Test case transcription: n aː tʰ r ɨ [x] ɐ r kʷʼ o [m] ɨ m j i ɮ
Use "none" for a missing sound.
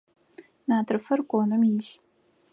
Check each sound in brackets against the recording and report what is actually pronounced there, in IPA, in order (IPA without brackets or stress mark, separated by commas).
f, n